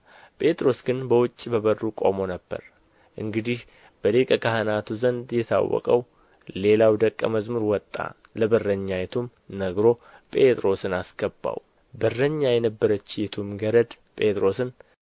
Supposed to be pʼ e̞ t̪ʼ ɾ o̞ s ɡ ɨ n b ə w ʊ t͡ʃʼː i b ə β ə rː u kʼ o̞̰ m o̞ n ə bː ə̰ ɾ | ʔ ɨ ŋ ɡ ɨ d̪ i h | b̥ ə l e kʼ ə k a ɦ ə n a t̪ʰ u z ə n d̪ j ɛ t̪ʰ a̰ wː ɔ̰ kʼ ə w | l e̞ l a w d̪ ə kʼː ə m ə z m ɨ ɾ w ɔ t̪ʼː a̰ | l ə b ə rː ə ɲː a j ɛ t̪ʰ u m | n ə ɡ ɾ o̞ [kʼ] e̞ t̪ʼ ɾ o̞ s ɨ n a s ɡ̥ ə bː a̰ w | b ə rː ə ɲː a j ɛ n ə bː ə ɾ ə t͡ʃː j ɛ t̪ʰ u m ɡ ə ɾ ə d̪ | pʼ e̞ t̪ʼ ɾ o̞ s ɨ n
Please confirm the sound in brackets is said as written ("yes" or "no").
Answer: no